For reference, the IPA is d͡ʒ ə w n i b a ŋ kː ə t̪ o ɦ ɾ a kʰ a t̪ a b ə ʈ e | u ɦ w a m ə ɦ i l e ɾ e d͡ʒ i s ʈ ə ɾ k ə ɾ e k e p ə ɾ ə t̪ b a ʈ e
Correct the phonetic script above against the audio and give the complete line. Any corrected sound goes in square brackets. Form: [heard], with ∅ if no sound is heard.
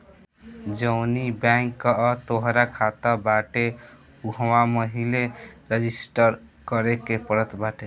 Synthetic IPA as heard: d͡ʒ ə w n i b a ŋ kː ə t̪ o ɦ ɾ a kʰ a t̪ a b [a] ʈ e | u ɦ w a m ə ɦ i l e ɾ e d͡ʒ i s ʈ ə ɾ k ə ɾ e k e p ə ɾ ə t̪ b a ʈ e

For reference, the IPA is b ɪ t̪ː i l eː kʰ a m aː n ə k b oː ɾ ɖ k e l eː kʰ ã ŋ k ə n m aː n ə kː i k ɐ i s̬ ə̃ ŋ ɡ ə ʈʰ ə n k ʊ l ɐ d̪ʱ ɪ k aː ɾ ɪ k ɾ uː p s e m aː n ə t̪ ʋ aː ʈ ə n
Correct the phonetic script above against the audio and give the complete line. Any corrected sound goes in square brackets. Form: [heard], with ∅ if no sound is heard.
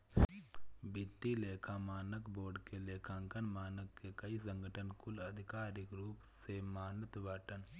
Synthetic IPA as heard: b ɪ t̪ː i l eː kʰ a m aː n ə k b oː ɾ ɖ k e l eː kʰ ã ŋ k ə n m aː n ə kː [e] k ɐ i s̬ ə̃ ŋ ɡ ə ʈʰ ə n k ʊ l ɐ d̪ʱ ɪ k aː ɾ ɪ k ɾ uː p s e m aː n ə t̪ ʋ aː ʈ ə n

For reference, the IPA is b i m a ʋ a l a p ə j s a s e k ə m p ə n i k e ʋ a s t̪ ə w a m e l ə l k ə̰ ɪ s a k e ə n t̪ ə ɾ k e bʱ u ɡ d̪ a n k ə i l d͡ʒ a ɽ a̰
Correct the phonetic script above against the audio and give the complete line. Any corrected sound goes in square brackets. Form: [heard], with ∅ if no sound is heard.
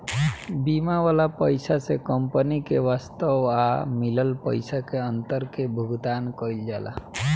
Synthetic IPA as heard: b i m a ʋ a l a p ə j s a s e k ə m p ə n i k e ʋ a s t̪ ə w a m [i] l ə l [p] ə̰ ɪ s a k e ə n t̪ ə ɾ k e bʱ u ɡ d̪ a n k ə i l d͡ʒ a [l] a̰

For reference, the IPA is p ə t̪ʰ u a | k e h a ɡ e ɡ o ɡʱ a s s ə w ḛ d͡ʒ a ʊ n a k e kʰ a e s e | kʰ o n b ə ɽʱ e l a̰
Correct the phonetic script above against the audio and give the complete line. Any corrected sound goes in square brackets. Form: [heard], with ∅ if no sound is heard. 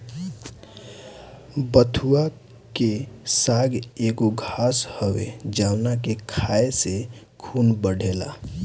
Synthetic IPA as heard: [b] ə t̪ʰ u a | k e [s] a ɡ e ɡ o ɡʱ a s [h] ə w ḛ d͡ʒ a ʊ n a k e kʰ a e s e | kʰ [u] n b ə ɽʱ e l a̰

